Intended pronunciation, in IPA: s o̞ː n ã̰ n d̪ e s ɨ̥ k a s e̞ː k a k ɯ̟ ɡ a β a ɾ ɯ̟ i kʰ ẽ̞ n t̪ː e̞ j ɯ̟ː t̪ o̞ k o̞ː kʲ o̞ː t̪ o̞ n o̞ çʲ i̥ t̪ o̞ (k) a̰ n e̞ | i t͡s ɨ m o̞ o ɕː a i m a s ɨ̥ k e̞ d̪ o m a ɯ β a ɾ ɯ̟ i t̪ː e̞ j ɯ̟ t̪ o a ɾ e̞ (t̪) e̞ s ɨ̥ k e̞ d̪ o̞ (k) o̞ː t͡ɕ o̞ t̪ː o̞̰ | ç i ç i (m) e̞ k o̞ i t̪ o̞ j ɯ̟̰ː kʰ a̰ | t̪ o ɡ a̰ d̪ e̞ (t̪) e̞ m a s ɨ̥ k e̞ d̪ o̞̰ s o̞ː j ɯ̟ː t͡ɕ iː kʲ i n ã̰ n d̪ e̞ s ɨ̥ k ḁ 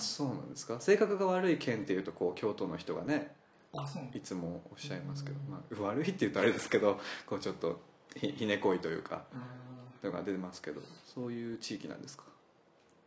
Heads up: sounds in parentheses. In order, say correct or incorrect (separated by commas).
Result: incorrect, incorrect, correct, incorrect, correct